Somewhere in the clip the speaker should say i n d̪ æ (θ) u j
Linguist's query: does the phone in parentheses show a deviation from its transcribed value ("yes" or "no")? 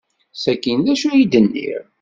yes